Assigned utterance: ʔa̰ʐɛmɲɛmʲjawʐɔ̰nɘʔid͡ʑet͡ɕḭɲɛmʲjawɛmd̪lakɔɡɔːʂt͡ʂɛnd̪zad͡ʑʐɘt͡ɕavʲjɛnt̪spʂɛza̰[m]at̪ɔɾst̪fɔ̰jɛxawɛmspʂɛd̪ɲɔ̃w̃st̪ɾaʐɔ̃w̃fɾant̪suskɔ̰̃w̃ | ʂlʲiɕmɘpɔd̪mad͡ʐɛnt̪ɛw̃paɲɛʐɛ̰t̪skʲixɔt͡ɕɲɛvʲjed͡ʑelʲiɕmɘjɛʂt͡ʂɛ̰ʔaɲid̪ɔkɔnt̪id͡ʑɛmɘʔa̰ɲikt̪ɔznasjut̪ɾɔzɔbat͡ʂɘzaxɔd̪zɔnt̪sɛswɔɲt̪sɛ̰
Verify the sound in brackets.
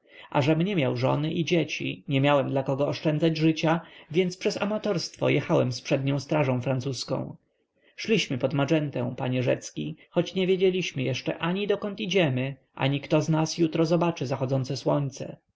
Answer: correct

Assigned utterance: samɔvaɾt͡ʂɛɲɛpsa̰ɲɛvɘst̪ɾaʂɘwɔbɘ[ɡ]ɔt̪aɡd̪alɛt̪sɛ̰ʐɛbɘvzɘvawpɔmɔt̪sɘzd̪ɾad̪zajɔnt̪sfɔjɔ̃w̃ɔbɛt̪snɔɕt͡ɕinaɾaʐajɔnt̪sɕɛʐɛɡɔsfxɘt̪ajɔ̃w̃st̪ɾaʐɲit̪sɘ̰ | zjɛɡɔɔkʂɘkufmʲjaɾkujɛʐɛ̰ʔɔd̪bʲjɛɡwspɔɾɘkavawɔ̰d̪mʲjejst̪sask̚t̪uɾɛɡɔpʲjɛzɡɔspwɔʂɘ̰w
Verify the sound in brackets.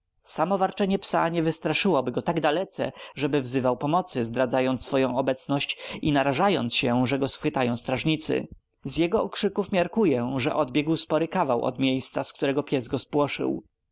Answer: correct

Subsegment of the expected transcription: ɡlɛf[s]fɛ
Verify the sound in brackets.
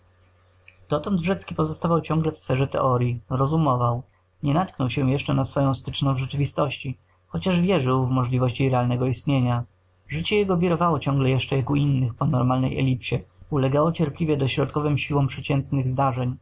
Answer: correct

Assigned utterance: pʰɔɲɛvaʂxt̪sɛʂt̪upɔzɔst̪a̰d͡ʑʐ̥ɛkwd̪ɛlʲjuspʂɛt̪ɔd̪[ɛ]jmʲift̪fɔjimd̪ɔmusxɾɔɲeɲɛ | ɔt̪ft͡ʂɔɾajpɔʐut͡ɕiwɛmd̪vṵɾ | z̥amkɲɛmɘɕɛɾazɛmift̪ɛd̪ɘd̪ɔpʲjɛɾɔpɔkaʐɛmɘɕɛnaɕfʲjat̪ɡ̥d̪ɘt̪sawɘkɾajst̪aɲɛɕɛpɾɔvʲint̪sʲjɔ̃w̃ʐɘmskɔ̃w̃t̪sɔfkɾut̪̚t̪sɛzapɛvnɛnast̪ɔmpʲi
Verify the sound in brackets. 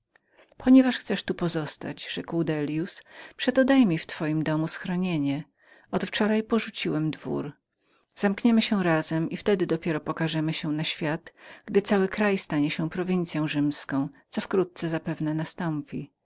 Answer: incorrect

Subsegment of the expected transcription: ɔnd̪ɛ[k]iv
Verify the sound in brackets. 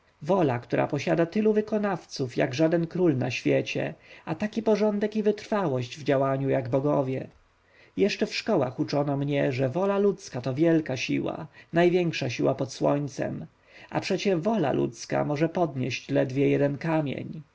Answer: correct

